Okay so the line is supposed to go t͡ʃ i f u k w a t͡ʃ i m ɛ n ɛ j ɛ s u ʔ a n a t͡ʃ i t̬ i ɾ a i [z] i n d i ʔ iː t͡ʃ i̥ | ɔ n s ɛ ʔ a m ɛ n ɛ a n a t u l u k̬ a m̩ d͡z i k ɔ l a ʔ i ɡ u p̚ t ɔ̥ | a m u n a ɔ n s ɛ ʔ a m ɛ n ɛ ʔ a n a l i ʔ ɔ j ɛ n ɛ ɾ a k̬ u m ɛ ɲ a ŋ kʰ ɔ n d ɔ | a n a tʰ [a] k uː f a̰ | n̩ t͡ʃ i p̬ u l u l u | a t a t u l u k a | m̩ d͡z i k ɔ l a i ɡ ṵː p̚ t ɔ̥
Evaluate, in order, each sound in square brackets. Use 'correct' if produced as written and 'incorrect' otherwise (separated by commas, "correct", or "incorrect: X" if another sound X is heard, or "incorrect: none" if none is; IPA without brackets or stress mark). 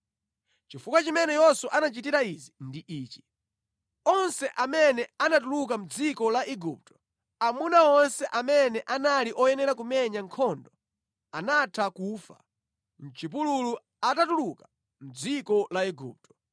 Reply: correct, correct